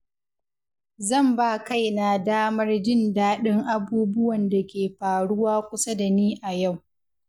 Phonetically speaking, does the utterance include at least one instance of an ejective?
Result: no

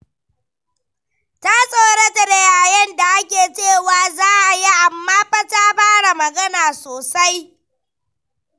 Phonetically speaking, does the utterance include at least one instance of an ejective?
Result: yes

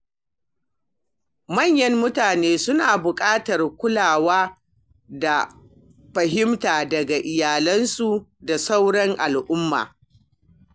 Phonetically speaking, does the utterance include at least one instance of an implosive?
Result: no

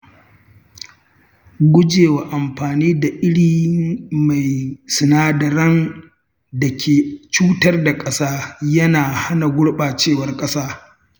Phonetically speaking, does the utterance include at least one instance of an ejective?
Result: yes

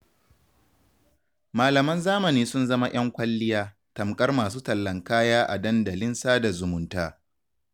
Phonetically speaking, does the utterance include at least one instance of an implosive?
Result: no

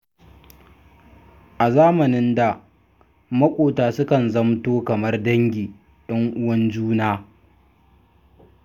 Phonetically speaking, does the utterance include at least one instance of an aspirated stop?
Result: no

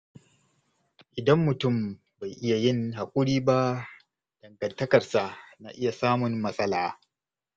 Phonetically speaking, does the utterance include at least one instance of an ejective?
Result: yes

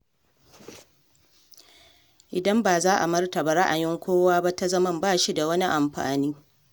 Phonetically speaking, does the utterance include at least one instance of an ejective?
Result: no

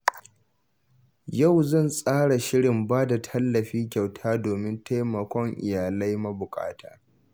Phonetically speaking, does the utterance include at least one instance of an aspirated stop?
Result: yes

